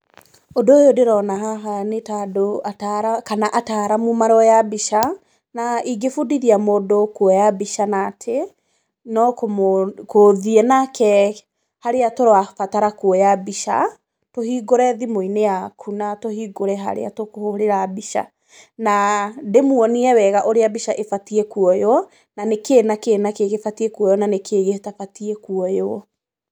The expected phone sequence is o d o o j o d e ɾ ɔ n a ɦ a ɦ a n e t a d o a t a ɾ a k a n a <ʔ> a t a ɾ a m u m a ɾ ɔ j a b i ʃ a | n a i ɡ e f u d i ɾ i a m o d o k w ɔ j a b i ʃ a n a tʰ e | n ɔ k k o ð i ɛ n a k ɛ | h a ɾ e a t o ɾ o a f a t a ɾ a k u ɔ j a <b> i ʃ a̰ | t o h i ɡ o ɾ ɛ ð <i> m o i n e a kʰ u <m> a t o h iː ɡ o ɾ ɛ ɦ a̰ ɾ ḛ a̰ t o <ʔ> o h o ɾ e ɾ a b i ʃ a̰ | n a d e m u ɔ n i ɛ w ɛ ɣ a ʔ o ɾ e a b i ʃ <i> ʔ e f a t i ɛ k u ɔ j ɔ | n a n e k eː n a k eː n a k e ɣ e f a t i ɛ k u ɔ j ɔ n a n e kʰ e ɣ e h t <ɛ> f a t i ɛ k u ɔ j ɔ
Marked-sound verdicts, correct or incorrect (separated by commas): correct, correct, correct, incorrect, incorrect, incorrect, incorrect